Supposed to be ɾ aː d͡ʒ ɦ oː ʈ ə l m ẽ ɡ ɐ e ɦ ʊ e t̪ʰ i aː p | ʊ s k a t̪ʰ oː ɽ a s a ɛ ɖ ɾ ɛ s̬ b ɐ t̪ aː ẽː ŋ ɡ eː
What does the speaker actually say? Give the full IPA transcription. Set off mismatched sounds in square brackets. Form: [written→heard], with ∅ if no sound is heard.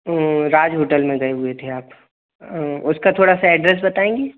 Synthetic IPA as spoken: ɾ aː d͡ʒ ɦ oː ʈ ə l m ẽ ɡ ɐ e ɦ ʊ e t̪ʰ [i→e] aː p | ʊ s k a t̪ʰ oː ɽ a s a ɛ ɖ ɾ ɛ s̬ b ɐ t̪ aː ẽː ŋ ɡ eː